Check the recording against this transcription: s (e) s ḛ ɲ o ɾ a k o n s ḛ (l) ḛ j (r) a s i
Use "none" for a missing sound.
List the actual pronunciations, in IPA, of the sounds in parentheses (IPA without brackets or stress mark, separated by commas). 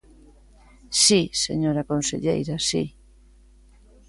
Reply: i, ʎ, ɾ